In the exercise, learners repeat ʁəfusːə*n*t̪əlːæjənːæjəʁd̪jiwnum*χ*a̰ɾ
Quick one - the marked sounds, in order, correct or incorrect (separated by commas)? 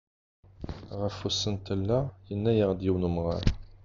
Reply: correct, incorrect